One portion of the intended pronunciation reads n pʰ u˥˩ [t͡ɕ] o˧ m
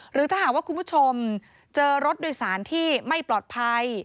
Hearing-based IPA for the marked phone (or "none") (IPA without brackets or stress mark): t͡ɕʰ